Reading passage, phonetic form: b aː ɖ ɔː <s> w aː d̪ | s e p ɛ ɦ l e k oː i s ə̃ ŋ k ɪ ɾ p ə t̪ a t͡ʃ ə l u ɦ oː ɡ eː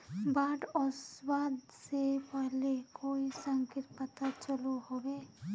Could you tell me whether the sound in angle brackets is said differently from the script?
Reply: no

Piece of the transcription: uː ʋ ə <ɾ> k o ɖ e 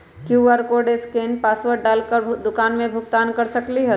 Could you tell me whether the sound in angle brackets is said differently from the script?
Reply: no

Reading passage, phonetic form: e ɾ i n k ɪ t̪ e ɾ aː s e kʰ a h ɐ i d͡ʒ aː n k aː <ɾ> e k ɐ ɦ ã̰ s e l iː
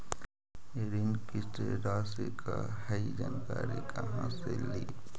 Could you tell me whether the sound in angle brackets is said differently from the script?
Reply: no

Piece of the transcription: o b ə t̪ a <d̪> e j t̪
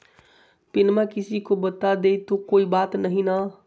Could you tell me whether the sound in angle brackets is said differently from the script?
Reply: no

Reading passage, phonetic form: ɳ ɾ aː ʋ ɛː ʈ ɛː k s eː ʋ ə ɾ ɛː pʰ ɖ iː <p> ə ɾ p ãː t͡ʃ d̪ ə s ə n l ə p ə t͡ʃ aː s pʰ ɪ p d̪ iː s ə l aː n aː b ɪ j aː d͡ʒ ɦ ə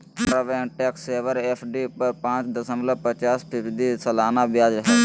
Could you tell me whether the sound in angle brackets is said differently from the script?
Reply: no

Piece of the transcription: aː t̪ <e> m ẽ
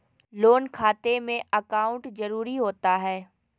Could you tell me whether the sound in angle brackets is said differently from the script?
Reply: no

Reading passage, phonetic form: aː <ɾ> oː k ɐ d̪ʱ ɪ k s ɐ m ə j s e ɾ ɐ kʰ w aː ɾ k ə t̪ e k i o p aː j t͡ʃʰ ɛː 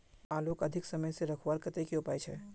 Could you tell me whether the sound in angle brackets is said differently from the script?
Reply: yes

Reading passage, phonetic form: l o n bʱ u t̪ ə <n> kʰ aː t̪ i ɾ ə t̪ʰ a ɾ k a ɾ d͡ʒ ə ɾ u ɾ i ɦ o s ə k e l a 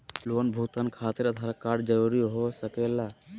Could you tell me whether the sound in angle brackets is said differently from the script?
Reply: no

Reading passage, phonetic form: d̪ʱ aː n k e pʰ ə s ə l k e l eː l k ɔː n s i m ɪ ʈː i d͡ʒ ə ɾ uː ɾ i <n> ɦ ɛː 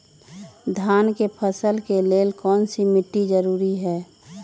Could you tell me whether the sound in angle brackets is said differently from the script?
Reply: yes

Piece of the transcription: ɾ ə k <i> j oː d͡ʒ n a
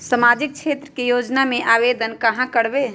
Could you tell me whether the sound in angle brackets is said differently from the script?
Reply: yes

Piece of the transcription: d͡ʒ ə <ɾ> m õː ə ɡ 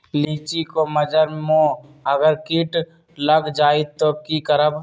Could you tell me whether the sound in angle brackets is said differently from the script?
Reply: no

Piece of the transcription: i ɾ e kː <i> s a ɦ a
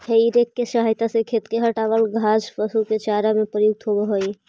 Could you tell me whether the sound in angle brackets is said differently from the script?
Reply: yes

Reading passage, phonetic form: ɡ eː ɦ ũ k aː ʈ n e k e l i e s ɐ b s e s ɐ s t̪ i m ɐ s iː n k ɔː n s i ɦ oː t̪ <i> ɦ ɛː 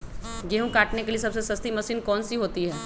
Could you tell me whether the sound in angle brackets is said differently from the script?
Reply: no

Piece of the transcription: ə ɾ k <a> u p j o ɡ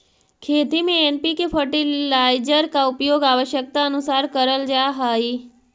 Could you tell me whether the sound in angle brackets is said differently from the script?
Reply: no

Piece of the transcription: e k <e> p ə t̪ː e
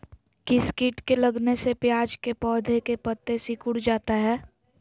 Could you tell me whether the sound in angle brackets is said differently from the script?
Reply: no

